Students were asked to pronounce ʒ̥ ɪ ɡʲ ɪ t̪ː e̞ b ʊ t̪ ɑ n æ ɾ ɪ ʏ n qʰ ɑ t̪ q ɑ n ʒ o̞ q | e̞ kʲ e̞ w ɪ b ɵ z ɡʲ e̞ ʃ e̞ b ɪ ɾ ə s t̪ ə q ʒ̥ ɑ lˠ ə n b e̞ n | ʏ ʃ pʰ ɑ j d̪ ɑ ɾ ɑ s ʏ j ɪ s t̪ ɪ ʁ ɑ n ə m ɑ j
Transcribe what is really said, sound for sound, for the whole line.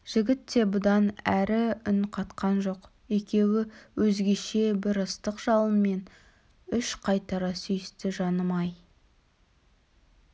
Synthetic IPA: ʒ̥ ɪ ɡʲ ɪ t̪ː e̞ b ʊ d̪ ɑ n æ ɾ ɪ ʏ n qʰ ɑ t̪ q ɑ n ʒ o̞ q | e̞ kʲ e̞ w ɪ w ɵ z ɡʲ e̞ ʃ e̞ b ɪ ɾ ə s t̪ ə q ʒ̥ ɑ lˠ ə n m e̞ n | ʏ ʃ qʰ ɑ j t̪ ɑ ɾ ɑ s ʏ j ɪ s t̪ ɪ ʒ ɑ n ə m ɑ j

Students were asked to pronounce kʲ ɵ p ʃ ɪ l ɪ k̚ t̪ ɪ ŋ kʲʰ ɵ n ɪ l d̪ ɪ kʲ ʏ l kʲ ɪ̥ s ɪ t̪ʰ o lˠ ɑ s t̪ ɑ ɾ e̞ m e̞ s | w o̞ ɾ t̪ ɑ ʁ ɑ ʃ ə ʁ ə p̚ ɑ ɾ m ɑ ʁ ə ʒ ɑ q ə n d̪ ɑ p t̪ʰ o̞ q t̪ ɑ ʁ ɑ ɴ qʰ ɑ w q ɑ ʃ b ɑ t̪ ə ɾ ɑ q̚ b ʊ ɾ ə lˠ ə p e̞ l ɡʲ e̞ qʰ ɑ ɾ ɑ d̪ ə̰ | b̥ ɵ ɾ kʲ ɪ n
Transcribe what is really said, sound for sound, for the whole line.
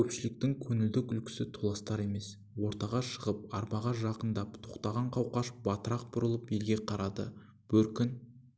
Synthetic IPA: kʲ ɵ p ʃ ɪ l ɪ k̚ t̪ ɪ ŋ kʲʰ ɵ n ɪ l d̪ ɪ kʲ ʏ l kʲ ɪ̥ s ɪ t̪ʰ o lˠ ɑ s t̪ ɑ ɾ e̞ m e̞ s | w o̞ ɾ t̪ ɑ ʁ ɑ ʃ ə ʁ ə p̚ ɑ ɾ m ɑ ʁ ɑ ʒ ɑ q ə n d̪ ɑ p t̪ʰ o̞ q t̪ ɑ ʁ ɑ ɴ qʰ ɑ w q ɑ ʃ b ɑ t̪ ə ɾ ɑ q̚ b ʊ ɾ ə lˠ ə p e̞ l ɡʲ e̞ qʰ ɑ ɾ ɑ d̪ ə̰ | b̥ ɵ ɾ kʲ ɪ n

